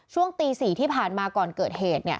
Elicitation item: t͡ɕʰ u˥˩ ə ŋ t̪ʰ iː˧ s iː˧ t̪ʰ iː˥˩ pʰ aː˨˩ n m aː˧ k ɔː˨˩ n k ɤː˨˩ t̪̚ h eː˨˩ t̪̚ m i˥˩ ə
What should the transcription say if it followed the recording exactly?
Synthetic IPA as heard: t͡ɕʰ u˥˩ ə ŋ t̪ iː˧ s iː˨˩ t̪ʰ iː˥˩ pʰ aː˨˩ n m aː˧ k ɔː˨˩ n k ɤː˨˩ t̪̚ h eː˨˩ t̪̚ n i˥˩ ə

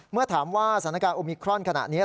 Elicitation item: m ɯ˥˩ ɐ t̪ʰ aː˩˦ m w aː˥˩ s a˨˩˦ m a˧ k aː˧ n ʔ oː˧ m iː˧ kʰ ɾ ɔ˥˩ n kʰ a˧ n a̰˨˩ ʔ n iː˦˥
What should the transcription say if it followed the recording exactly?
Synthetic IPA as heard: m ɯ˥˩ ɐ t̪ʰ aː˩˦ m w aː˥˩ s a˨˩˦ n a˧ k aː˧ n ʔ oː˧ m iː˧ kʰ ɾ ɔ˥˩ n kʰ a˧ n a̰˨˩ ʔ n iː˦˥

